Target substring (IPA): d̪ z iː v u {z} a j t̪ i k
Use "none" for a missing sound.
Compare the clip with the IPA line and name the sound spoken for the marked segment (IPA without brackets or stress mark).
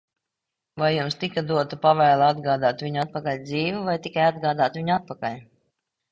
v